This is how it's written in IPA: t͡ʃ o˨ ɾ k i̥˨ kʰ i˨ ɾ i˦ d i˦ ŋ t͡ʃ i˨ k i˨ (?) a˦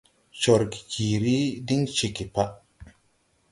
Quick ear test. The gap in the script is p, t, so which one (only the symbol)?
p